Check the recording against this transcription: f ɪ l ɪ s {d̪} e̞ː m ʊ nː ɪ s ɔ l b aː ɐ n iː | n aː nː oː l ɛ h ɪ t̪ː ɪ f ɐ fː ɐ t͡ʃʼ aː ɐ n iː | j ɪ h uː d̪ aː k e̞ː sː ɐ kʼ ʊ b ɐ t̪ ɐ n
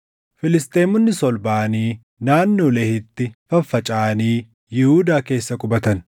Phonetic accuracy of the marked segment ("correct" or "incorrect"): incorrect